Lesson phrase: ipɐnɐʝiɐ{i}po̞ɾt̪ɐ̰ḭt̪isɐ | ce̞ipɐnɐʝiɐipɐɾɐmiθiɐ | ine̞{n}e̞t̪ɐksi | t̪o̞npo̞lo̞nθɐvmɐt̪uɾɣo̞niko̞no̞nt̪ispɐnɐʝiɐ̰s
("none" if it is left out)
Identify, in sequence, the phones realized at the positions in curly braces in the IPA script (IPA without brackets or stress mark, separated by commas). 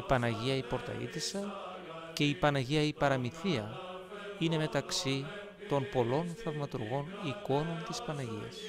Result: i, m